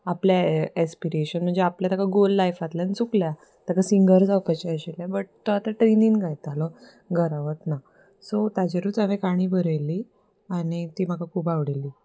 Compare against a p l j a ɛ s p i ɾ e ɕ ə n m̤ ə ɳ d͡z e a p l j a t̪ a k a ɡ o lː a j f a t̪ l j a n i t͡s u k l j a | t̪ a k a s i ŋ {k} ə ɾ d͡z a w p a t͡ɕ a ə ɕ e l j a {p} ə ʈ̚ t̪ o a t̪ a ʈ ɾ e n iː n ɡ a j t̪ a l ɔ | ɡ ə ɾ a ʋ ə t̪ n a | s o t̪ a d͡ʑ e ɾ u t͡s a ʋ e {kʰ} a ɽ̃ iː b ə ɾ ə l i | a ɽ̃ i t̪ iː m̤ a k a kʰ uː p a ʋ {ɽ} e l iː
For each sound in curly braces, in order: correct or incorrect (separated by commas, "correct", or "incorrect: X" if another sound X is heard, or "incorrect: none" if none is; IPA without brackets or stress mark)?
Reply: incorrect: ɡ, incorrect: b, incorrect: k, correct